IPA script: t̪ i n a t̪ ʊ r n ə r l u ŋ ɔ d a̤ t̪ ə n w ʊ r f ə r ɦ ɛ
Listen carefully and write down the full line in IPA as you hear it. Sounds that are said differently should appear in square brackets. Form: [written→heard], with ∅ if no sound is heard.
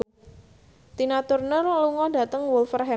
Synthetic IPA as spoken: t̪ i n a t̪ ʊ r n ə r l u ŋ ɔ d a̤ t̪ ə [n→ŋ] w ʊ [r→l] f ə r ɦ ɛ